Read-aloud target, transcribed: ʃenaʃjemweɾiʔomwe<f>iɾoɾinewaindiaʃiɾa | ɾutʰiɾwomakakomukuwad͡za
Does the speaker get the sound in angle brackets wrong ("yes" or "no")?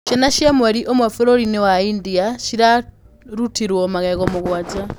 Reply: no